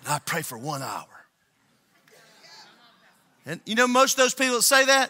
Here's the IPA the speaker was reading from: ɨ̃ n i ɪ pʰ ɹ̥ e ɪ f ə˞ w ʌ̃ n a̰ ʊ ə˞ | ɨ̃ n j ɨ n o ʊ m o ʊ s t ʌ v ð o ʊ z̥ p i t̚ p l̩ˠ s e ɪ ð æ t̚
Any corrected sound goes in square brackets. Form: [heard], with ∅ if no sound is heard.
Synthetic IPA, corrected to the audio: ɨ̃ n [a] ɪ pʰ ɹ̥ e ɪ f ə˞ w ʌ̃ n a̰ ʊ ə˞ | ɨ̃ n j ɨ n o ʊ m o ʊ s t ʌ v ð o ʊ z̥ p i [∅] p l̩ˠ s e ɪ ð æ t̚